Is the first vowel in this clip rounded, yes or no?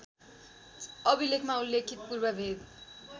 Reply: no